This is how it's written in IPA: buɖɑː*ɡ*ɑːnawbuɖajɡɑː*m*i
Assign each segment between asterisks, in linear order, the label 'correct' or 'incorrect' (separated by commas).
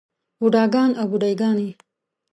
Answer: correct, incorrect